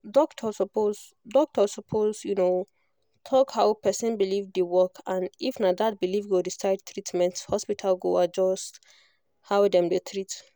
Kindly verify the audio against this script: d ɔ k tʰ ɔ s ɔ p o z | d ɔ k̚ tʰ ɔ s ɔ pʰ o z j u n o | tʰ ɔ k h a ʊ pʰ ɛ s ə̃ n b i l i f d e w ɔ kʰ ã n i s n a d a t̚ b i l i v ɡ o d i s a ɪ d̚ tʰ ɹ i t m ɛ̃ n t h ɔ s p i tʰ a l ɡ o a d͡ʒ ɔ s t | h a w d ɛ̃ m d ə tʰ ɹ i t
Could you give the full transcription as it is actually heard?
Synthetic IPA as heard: d ɔ k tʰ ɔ s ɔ p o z | d ɔ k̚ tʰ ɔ s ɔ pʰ o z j u n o | tʰ ɔ k h a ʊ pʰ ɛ s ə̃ n b i l i v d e w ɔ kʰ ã n i f n a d a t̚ b i l i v ɡ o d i s a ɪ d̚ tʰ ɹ i t m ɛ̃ n t h ɔ s p i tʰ a l ɡ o a d͡ʒ ɔ s t | h a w d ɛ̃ m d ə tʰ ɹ i t